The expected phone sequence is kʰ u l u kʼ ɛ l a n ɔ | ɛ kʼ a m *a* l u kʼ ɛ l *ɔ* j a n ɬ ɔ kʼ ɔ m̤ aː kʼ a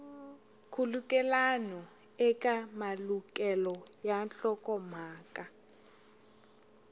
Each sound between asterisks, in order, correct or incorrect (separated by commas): correct, correct